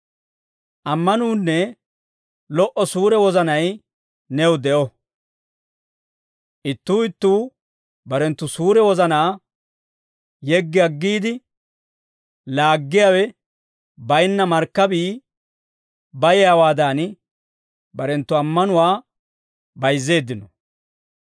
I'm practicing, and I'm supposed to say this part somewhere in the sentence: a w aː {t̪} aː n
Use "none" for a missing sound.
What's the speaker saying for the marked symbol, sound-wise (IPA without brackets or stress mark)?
d̪